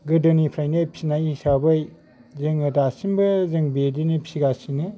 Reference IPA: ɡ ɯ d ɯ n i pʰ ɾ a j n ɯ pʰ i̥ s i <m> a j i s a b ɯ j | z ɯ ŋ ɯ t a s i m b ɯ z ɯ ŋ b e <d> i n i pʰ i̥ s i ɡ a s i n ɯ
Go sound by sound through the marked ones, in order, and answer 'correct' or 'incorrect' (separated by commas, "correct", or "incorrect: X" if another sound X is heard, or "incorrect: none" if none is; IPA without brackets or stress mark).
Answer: incorrect: n, correct